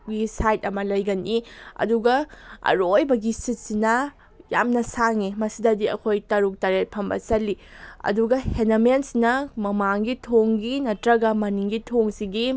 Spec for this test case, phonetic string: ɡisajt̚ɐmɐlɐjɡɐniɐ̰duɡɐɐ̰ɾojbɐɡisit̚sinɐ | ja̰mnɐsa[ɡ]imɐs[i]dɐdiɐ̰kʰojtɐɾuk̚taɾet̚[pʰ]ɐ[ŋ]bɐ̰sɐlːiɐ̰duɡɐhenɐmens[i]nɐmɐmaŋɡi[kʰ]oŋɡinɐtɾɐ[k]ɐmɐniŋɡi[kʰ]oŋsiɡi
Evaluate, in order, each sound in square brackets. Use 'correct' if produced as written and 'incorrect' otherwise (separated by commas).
incorrect, correct, correct, incorrect, correct, incorrect, incorrect, incorrect